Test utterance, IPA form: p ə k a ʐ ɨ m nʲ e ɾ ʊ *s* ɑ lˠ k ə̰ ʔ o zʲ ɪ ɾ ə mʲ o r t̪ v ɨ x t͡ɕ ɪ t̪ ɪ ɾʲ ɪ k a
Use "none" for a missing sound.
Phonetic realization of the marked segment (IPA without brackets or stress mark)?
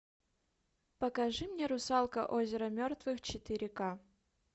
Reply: s